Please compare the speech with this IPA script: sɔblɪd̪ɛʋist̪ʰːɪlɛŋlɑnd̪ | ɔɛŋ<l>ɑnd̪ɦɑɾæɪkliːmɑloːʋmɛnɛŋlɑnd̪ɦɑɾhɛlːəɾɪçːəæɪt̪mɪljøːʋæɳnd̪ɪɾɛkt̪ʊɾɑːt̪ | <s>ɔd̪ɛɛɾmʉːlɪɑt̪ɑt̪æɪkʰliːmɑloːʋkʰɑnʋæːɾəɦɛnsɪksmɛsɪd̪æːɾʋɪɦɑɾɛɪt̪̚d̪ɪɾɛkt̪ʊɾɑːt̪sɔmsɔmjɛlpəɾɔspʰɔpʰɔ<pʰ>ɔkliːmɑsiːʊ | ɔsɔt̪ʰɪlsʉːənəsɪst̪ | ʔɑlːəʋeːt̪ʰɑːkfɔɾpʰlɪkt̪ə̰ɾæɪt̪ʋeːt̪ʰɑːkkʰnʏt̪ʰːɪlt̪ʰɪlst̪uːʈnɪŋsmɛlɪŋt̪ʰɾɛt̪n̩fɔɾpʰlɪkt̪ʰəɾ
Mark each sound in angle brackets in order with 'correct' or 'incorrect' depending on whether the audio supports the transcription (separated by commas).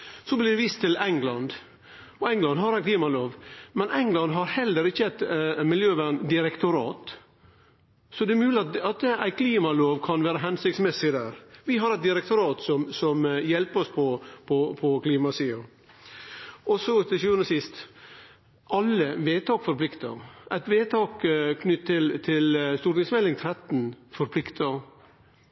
correct, correct, correct